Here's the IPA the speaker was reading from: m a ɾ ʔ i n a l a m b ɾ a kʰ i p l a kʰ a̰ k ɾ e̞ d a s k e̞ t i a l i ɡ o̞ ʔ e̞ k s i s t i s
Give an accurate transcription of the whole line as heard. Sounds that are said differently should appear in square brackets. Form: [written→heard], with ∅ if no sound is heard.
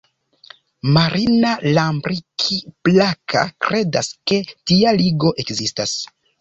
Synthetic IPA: m a ɾ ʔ i n a l a m b ɾ [a→i] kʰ i p l a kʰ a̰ k ɾ e̞ d a s k e̞ t i a l i ɡ o̞ ʔ e̞ k [s→z] i s t [i→a] s